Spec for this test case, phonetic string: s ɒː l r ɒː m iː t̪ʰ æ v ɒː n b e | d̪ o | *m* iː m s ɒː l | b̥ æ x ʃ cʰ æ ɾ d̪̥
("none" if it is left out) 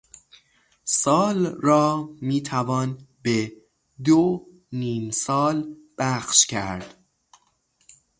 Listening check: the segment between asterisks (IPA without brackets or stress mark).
n